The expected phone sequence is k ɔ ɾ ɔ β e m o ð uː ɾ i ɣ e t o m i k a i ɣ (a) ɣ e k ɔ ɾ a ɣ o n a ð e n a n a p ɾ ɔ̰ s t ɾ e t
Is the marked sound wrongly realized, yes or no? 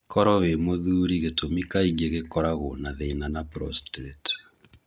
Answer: yes